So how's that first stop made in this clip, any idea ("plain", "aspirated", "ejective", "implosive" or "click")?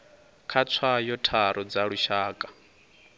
aspirated